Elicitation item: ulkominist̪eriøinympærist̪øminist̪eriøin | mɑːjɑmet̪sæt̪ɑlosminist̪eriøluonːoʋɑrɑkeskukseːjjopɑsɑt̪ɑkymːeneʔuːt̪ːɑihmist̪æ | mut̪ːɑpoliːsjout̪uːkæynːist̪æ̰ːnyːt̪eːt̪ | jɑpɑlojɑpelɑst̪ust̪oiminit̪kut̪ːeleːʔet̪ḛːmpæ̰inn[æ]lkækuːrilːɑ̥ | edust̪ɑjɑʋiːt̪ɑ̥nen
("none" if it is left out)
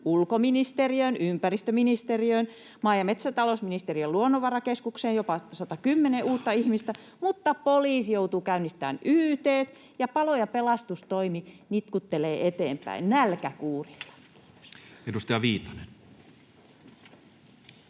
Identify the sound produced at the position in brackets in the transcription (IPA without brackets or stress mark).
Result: æ